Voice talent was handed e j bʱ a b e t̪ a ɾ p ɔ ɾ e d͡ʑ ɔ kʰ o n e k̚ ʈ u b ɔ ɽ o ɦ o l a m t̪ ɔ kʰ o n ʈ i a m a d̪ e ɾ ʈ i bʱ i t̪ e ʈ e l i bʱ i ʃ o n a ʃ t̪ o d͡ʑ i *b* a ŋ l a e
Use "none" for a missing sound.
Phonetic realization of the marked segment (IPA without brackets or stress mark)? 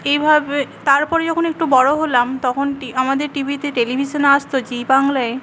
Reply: b